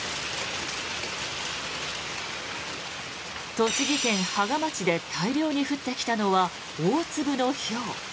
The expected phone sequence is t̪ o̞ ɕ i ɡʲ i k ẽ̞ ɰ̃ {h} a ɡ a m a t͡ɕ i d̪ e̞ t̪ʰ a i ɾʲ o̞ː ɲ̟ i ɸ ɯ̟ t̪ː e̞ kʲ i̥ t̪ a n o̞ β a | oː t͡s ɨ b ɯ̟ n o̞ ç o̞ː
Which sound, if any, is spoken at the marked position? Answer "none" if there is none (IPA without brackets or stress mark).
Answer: h